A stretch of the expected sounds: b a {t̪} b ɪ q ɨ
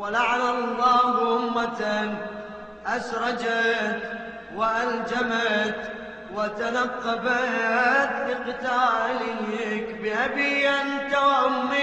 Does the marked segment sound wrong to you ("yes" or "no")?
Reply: no